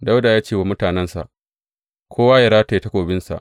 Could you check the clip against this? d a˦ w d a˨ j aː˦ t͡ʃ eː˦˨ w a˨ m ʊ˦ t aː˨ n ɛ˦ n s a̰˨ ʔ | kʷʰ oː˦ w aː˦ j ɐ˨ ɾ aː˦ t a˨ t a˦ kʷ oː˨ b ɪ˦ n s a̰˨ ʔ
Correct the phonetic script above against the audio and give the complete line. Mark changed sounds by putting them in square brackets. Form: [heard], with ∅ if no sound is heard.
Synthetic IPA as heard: d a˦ w d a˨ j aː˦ t͡ʃ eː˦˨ w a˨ m ʊ˦ t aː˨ n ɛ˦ n s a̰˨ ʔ | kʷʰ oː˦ w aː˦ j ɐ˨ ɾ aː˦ t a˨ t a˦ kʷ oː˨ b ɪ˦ n s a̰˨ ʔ